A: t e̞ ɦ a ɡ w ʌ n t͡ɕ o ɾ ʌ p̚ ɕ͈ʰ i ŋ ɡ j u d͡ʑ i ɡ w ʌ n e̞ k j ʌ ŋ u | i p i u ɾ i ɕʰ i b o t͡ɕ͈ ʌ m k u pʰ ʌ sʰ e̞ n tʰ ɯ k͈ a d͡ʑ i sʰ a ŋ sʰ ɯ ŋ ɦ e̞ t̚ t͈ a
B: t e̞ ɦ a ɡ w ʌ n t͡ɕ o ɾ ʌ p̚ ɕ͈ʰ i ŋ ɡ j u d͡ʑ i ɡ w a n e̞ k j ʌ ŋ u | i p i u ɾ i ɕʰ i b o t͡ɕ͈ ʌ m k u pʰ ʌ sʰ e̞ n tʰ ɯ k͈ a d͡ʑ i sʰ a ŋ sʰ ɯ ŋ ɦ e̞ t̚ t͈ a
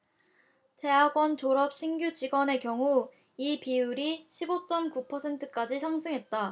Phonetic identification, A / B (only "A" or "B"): A